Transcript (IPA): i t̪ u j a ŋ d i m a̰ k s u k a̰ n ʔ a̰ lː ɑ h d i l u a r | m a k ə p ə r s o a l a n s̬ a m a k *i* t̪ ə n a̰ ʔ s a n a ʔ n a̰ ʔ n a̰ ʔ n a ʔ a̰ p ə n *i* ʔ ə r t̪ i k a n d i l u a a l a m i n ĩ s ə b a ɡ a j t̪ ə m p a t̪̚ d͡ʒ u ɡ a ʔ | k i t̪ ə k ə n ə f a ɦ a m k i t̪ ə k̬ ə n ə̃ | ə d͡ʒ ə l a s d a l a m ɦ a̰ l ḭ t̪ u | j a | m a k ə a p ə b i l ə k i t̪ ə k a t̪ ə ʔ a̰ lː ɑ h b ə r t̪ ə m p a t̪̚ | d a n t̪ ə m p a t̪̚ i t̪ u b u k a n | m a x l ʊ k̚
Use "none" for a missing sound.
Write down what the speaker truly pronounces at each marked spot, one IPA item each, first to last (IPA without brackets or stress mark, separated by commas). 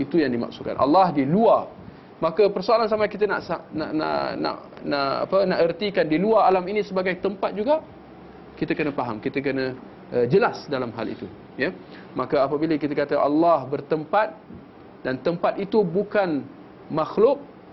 i, a